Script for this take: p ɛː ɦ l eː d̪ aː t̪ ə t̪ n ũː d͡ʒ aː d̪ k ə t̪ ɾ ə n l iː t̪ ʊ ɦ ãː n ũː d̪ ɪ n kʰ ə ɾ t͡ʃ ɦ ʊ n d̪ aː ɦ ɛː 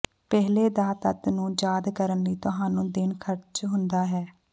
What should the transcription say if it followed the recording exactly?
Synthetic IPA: p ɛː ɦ l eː d̪ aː t̪ ə t̪ n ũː d͡ʒ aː d̪ k ə ɾ ə n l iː t̪ ʊ ɦ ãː n ũː d̪ ɪ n kʰ ə ɾ t͡ʃ ɦ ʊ n d̪ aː ɦ ɛː